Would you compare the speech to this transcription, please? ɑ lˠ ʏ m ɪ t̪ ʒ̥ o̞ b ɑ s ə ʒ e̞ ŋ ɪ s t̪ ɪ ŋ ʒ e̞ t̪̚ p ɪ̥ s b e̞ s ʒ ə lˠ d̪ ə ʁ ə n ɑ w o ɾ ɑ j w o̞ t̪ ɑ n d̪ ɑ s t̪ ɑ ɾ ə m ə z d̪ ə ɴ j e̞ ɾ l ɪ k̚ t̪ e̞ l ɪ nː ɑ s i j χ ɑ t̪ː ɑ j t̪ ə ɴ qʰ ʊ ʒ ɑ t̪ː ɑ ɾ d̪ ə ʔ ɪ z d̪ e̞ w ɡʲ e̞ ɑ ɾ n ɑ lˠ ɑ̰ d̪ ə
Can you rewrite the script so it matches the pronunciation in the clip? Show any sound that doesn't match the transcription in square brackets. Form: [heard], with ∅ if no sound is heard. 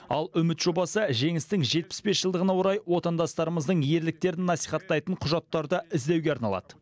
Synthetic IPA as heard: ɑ lˠ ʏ m ɪ t̪ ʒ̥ o̞ b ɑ s ə ʒ e̞ ŋ ɪ s t̪ ɪ ŋ ʒ e̞ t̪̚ p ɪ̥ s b e̞ s ʒ ə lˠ d̪ ə ʁ ə n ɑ w o ɾ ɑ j w o̞ t̪ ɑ n d̪ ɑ s t̪ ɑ ɾ ə m ə z d̪ ə ɴ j e̞ ɾ l ɪ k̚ t̪ e̞ [ɾ] ɪ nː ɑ s i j χ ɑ t̪ː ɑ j t̪ ə ɴ qʰ ʊ ʒ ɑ t̪ː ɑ ɾ d̪ ə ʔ ɪ z d̪ e̞ w ɡʲ e̞ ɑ ɾ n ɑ lˠ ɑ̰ d̪ ə